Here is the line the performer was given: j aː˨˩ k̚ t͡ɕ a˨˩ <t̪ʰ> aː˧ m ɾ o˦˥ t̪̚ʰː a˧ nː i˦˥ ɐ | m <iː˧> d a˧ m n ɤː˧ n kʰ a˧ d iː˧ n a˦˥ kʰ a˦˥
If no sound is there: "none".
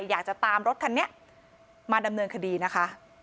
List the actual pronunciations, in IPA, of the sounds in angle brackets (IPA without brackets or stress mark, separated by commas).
t̪, aː˧